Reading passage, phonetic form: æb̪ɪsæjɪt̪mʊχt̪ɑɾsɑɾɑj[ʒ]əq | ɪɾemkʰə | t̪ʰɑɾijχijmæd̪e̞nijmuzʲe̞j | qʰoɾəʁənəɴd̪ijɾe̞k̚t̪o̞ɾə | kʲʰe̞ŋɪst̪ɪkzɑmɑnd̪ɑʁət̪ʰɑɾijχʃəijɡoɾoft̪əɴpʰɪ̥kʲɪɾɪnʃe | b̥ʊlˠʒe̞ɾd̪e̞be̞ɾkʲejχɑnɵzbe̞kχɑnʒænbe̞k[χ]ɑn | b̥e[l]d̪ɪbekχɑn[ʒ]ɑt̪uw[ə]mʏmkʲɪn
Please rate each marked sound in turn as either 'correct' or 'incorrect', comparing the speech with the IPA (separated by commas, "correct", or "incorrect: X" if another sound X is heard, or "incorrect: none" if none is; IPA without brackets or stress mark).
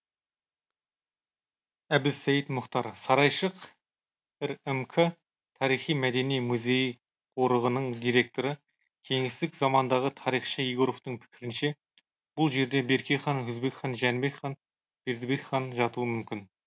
incorrect: ʃ, correct, incorrect: ɾ, correct, correct